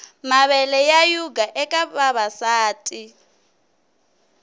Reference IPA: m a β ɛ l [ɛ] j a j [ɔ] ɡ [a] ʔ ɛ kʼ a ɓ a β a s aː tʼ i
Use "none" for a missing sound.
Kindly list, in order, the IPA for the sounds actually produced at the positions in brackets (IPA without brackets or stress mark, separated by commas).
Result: ɛ, u, a